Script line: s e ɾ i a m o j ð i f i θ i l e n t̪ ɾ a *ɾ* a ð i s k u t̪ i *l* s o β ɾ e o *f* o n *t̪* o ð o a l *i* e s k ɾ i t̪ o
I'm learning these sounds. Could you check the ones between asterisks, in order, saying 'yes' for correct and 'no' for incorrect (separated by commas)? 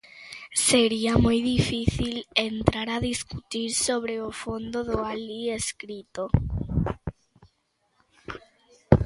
yes, no, yes, no, yes